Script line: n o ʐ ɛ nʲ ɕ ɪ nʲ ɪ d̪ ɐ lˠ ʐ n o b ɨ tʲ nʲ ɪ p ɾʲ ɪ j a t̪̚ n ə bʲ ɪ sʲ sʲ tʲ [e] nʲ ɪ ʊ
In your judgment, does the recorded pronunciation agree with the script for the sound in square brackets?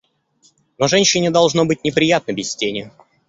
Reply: yes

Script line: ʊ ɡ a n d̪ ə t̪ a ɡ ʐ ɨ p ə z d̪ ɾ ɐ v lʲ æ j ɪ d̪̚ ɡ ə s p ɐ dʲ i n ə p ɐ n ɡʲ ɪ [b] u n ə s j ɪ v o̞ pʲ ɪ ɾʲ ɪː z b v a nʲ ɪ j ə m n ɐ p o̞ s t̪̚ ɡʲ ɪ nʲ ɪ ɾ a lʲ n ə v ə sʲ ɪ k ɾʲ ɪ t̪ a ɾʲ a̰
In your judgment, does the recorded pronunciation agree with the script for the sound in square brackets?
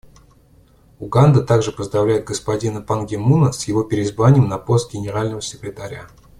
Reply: no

